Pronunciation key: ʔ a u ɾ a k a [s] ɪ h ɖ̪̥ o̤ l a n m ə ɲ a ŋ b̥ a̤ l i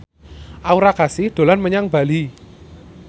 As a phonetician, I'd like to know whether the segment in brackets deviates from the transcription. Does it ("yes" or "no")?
no